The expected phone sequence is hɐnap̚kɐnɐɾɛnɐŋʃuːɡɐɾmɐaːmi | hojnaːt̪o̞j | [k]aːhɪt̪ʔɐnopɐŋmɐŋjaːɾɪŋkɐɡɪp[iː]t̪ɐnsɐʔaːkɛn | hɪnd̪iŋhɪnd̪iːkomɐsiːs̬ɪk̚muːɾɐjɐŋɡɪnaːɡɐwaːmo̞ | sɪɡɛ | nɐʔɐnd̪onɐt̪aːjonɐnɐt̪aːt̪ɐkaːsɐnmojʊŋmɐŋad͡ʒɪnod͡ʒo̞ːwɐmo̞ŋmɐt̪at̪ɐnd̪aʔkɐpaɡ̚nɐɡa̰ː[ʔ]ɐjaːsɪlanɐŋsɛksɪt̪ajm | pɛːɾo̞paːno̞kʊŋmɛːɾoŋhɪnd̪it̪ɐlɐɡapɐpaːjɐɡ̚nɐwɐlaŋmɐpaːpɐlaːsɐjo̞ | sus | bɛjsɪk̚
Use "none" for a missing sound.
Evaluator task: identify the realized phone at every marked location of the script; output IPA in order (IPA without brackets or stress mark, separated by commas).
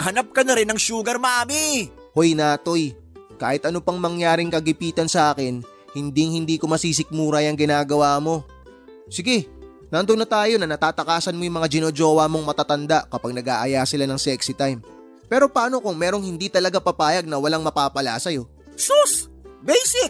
k, iː, ʔ